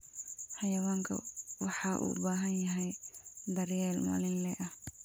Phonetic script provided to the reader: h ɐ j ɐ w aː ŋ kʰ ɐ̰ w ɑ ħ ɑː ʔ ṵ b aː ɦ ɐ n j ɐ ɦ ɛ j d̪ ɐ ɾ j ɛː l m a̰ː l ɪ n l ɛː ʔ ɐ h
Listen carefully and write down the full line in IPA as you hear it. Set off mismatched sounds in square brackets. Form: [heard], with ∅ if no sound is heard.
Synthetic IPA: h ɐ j ɐ w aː ŋ kʰ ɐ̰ w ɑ ħ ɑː ʔ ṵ b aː ɦ ɐ n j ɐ ɦ ɛ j d̪ ɐ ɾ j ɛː l m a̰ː l ɪ n l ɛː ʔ ɐ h